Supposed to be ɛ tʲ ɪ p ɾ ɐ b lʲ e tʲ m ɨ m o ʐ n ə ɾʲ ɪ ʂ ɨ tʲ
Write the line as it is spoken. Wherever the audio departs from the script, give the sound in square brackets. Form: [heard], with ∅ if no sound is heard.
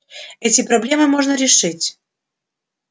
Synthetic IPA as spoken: ɛ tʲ ɪ p ɾ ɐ b lʲ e [∅] m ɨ m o ʐ n ə ɾʲ ɪ ʂ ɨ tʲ